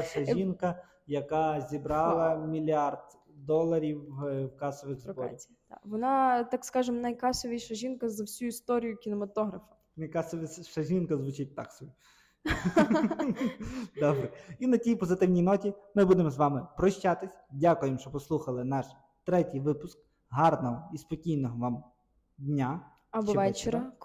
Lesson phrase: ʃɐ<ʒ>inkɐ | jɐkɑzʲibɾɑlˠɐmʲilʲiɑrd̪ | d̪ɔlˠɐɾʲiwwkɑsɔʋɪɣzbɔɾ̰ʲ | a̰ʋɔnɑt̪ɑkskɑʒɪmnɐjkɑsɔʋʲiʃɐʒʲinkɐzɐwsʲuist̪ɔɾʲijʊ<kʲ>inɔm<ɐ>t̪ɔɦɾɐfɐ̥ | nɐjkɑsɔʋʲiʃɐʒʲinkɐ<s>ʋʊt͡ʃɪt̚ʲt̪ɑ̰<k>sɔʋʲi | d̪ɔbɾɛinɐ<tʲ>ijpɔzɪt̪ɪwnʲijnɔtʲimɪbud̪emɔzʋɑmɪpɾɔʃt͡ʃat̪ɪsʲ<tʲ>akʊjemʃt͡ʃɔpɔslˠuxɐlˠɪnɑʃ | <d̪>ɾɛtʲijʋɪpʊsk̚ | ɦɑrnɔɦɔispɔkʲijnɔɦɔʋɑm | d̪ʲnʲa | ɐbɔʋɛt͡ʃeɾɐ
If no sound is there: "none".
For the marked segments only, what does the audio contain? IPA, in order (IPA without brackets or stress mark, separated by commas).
ʒ, kʲ, ɐ, z, k, tʲ, dʲ, t̪